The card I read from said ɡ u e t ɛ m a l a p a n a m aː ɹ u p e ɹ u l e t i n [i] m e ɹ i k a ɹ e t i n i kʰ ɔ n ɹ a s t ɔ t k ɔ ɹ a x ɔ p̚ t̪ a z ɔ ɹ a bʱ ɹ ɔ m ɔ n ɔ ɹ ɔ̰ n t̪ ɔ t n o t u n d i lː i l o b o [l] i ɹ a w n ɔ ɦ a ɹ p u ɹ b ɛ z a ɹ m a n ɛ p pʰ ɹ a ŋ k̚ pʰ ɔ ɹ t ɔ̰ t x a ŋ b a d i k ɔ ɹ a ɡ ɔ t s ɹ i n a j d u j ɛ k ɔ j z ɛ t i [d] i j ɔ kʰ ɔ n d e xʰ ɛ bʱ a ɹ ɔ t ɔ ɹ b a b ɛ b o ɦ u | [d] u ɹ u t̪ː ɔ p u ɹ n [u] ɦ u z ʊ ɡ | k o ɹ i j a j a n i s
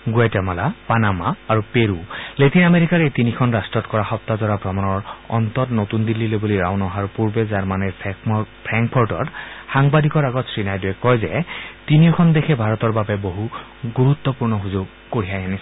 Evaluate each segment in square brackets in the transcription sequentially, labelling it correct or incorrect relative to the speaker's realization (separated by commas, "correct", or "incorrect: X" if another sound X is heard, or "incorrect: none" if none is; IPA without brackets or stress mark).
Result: incorrect: a, correct, incorrect: n, incorrect: ɡ, incorrect: ɔ